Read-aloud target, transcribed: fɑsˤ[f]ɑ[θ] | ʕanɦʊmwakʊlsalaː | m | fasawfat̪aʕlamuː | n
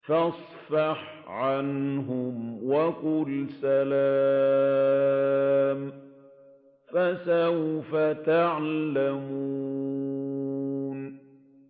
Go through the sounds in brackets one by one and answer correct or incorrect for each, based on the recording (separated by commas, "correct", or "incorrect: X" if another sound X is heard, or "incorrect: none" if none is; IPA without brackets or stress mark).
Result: correct, incorrect: ħ